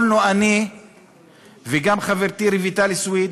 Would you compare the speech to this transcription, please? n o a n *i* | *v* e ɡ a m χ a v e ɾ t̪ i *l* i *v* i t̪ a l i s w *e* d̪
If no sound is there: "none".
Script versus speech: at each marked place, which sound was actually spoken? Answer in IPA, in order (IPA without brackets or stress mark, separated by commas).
i, v, ɾ, v, i